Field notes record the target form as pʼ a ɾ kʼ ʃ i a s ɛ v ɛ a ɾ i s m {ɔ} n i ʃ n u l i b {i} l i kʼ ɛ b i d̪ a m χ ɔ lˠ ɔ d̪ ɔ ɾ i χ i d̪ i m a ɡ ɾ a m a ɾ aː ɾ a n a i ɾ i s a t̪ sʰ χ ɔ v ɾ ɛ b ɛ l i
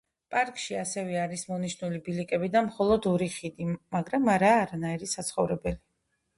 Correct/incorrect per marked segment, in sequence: correct, correct

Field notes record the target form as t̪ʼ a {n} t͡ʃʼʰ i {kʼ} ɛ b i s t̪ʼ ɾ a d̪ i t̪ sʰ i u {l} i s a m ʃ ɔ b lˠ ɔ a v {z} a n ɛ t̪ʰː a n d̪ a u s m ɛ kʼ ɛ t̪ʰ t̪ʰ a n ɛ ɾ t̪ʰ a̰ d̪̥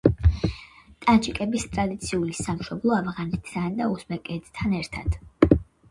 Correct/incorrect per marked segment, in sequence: correct, correct, correct, incorrect: ʁ

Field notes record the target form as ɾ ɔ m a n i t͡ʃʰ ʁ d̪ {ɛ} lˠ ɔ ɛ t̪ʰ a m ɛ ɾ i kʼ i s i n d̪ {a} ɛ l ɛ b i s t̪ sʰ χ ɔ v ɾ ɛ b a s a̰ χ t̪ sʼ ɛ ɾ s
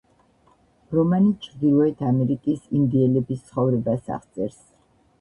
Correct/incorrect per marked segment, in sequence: incorrect: i, incorrect: i

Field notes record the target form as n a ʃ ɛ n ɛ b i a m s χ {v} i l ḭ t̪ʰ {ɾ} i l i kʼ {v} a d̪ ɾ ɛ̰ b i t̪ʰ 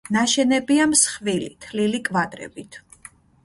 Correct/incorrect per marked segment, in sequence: correct, incorrect: l, correct

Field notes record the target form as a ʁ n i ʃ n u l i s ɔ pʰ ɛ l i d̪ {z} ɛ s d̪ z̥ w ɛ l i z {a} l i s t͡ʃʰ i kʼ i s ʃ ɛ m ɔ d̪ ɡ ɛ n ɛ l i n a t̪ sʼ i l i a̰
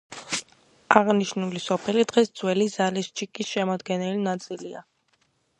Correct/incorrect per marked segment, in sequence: incorrect: ʁ, correct

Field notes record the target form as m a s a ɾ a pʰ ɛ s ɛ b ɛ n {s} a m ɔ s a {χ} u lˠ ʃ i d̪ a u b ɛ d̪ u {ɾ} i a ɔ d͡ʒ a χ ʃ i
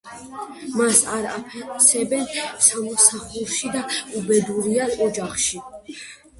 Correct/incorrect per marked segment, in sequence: correct, correct, correct

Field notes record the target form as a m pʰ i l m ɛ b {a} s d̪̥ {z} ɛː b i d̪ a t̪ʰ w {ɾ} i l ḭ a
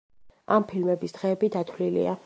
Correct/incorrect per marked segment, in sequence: incorrect: i, incorrect: ʁ, incorrect: l

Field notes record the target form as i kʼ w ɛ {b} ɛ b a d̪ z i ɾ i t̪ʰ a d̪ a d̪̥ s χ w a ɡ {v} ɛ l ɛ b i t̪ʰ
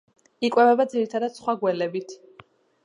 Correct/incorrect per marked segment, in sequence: incorrect: v, incorrect: w

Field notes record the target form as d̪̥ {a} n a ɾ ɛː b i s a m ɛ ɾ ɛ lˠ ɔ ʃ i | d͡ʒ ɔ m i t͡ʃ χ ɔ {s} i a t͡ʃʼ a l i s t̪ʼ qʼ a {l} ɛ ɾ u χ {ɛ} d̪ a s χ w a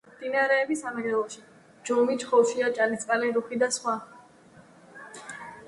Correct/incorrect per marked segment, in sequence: incorrect: i, incorrect: ʃ, correct, incorrect: i

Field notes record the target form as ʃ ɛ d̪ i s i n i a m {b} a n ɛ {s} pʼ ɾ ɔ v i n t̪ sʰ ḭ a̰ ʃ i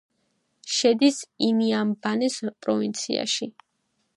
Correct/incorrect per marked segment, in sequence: correct, correct

